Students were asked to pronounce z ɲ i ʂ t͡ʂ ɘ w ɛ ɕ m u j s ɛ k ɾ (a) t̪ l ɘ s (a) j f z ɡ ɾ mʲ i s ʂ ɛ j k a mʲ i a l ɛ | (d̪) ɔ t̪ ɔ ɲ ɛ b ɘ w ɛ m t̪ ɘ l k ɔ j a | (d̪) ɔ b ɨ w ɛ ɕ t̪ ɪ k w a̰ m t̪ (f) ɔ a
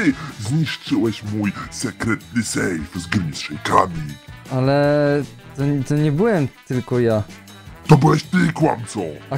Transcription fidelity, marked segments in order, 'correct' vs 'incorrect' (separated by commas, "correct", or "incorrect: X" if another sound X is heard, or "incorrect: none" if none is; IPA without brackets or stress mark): incorrect: ɛ, incorrect: ɛ, incorrect: t̪, incorrect: t̪, incorrect: s